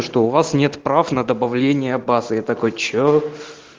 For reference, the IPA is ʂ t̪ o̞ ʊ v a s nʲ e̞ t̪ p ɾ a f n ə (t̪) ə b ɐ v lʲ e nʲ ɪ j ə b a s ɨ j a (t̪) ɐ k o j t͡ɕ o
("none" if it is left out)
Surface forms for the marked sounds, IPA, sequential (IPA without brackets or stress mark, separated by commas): d̪, t̪